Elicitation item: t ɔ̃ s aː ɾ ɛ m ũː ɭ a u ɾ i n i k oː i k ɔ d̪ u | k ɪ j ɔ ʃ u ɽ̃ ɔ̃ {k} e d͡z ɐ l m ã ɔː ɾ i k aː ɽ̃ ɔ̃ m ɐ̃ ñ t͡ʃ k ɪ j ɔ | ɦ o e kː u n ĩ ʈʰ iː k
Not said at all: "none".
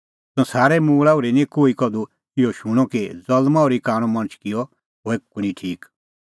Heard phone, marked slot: k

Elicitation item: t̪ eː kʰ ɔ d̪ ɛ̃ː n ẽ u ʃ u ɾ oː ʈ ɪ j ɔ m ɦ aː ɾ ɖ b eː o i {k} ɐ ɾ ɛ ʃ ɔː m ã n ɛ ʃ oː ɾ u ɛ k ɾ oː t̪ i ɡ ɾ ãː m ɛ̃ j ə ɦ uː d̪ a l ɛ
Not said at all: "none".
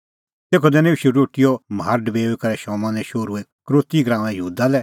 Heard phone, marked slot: k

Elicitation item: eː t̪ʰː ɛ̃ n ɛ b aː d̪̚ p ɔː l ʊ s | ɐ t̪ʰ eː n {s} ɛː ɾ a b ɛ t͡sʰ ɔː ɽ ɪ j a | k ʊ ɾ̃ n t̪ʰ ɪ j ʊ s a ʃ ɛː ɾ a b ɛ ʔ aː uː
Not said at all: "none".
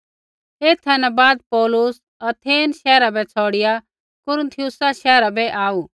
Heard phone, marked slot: ʃ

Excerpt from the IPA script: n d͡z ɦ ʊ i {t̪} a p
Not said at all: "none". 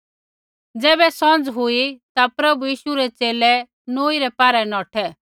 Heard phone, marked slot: t̪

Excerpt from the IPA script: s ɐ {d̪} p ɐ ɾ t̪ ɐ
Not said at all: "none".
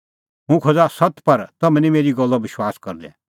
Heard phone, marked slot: t̪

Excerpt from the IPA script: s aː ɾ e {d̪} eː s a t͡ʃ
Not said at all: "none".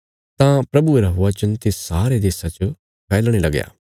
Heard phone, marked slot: d̪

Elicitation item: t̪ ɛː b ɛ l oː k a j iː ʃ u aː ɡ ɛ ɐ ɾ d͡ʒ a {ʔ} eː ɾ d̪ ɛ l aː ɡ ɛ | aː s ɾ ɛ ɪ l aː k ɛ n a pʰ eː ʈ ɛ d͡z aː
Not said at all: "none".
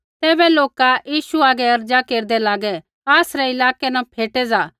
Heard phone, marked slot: k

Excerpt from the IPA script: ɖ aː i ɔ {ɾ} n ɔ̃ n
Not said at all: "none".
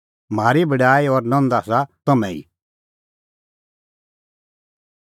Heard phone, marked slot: ɾ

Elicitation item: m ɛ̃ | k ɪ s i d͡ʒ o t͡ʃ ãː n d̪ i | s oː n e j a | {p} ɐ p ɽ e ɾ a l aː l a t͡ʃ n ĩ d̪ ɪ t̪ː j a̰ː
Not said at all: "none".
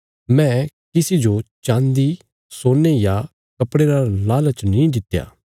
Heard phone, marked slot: k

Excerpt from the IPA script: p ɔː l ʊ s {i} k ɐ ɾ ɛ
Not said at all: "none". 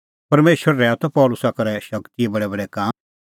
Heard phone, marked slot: a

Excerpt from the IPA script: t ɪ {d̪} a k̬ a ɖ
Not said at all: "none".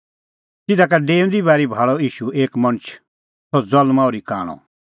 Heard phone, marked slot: d̪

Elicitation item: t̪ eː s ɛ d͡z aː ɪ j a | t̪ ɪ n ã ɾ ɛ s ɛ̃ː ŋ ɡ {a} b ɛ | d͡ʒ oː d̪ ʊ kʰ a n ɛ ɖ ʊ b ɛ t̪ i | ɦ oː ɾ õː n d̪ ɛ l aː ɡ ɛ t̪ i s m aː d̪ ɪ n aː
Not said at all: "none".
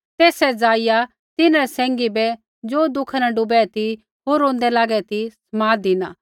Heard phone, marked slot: i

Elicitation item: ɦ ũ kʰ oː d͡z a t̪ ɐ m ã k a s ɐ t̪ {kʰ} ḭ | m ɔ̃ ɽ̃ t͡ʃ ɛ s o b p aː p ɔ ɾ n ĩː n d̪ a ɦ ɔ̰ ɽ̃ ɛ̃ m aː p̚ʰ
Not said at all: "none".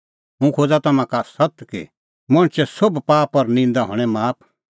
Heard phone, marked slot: k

